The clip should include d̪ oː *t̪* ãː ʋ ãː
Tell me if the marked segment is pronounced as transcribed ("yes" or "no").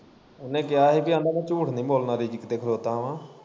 yes